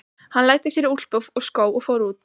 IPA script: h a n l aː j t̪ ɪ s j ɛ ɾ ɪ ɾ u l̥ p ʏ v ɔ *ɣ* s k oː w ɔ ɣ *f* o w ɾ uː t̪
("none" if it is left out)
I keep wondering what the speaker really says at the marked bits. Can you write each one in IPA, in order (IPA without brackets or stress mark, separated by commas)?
ɣ, f